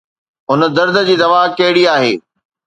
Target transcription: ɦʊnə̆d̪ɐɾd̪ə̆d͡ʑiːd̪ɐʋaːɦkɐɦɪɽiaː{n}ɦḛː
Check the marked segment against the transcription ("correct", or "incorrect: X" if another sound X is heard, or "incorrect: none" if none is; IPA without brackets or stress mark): incorrect: none